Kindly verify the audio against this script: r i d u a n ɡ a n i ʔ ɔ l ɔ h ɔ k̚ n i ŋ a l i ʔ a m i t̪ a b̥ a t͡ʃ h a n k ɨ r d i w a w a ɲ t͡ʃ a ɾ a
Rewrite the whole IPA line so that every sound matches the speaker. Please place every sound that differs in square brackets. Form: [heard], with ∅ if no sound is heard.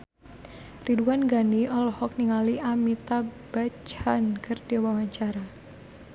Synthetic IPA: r i d u a n ɡ a n i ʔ ɔ l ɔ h ɔ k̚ n i ŋ a l i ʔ a m i t̪ a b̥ a t͡ʃ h a n k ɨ r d i w a w a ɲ t͡ʃ a ɾ a